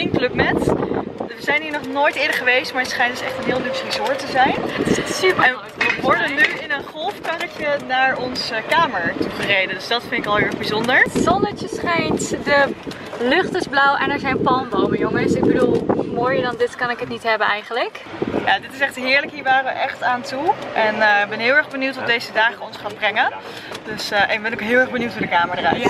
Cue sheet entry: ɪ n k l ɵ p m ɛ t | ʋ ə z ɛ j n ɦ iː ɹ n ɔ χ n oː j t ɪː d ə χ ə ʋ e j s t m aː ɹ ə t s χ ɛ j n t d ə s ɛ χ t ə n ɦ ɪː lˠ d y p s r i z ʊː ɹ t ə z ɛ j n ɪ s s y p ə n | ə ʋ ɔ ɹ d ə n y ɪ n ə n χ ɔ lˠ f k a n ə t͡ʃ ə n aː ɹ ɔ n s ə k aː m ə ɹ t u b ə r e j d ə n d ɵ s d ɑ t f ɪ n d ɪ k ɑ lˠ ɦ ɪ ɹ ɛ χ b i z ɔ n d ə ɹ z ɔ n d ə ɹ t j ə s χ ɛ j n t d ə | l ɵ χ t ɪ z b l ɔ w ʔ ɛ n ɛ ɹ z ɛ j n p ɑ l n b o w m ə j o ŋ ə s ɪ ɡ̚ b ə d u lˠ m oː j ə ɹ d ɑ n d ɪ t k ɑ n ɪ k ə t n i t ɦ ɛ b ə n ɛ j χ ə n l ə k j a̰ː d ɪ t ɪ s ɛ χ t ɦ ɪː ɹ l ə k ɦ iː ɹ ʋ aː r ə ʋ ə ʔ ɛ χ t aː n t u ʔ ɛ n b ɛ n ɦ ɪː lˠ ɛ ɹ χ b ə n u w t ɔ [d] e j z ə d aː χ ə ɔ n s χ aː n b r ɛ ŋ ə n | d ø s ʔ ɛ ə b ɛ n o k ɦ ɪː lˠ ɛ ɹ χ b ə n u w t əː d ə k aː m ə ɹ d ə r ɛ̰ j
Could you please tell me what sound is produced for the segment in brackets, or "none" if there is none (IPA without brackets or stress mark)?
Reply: d